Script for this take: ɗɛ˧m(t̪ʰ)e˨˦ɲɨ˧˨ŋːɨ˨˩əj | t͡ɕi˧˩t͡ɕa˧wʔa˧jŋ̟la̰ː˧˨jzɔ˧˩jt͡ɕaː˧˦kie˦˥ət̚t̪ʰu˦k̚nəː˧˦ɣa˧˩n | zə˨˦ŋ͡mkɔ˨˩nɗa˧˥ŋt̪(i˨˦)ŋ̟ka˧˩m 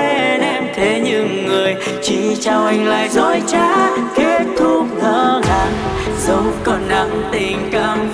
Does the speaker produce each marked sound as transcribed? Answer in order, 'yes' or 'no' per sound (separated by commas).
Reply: yes, no